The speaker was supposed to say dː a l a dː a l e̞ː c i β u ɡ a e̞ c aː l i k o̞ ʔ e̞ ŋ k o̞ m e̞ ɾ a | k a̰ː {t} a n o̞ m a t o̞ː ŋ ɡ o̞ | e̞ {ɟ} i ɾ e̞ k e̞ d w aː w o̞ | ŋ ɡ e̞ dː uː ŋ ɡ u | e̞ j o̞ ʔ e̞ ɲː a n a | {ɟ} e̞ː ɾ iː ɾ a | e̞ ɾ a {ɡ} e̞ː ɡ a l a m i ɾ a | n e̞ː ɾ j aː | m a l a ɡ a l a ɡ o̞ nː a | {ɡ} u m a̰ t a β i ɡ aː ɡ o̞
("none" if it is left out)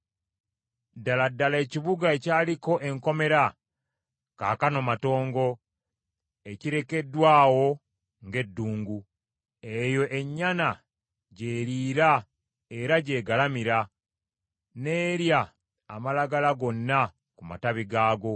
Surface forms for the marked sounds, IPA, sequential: k, c, ɟ, ɟ, k

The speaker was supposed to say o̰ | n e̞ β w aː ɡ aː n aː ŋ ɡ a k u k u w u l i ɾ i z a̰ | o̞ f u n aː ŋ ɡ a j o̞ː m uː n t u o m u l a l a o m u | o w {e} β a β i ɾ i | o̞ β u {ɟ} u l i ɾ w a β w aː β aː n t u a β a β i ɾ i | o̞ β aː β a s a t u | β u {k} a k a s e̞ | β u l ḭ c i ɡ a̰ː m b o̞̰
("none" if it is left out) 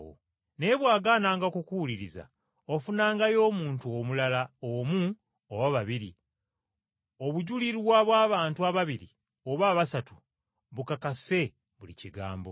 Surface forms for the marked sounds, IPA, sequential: a, ɟ, k

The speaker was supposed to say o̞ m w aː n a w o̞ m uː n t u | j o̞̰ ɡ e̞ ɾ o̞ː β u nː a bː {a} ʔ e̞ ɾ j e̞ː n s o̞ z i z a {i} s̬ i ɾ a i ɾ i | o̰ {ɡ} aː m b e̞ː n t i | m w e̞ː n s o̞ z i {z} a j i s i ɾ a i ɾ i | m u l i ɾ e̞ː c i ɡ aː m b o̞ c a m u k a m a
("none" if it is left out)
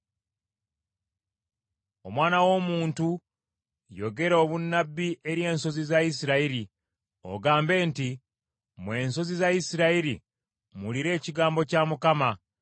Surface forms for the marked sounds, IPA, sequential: i, i, ɡ, z

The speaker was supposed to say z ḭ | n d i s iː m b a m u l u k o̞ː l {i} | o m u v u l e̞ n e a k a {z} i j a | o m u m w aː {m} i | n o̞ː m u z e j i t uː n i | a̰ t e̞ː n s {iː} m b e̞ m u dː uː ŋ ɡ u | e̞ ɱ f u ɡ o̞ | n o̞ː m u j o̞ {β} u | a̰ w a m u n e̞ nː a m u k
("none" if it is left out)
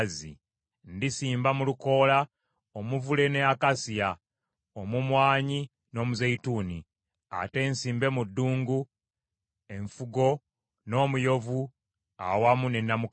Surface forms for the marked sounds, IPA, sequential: a, s, ɲ, iː, v

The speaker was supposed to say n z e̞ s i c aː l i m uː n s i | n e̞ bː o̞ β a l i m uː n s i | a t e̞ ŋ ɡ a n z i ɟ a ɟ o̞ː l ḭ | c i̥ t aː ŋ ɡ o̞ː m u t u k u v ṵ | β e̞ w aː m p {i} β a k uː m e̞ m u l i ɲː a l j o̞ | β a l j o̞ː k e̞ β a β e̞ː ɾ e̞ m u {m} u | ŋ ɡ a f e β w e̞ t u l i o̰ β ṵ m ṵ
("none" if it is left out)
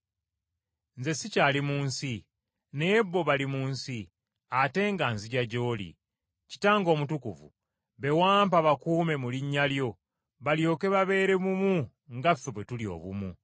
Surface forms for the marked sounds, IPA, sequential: a, m

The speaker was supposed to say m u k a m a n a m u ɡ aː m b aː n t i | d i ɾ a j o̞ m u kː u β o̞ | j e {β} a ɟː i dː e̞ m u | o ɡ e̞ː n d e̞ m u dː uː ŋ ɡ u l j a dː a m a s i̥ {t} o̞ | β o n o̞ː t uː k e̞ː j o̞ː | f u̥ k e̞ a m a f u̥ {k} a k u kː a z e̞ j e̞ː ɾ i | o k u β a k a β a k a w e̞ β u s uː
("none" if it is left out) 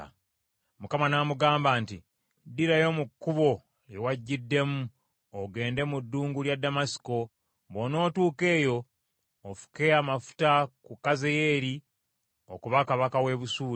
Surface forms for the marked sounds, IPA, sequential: w, k, t

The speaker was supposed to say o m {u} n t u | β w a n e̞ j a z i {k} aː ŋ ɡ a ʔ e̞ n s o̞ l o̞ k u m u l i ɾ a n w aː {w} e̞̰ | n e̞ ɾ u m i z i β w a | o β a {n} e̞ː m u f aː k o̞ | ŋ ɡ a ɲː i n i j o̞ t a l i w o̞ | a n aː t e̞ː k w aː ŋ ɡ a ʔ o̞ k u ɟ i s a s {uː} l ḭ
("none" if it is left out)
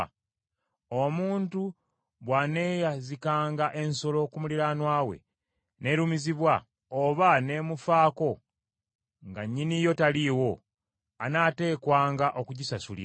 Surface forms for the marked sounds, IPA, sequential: uː, k, w, n, u

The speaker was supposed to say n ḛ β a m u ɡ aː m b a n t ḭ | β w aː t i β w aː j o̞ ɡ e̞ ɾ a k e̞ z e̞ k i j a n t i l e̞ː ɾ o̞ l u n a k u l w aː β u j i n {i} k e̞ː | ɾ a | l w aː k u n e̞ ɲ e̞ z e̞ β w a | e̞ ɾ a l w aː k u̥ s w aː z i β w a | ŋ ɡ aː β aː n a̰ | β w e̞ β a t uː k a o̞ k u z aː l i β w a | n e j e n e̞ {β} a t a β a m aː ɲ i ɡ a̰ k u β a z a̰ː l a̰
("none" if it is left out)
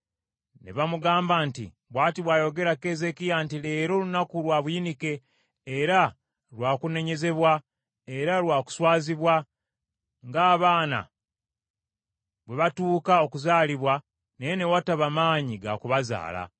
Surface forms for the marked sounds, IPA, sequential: i, w

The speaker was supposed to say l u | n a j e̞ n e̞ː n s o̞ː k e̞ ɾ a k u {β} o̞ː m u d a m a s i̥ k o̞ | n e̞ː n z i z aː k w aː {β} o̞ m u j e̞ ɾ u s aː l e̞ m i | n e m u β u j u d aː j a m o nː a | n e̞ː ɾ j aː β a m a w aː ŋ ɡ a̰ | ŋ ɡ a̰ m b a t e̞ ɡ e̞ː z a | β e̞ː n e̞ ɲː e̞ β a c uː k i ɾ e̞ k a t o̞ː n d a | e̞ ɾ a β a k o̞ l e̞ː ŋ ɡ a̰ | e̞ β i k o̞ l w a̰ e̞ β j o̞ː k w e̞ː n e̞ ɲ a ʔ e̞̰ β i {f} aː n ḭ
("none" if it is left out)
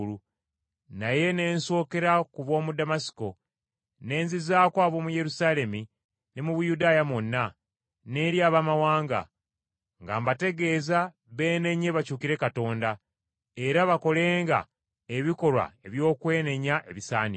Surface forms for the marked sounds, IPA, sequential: β, β, s

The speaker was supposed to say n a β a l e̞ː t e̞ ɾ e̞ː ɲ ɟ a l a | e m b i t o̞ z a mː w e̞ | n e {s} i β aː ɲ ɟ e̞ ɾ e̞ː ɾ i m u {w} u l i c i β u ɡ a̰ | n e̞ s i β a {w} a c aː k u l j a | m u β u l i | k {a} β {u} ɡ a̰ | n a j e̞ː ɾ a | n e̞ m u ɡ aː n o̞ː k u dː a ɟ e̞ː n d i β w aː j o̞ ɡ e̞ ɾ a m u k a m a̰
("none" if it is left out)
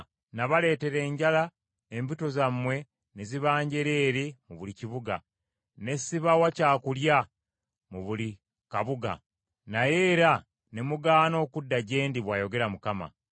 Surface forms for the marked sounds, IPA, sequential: z, β, w, a, u

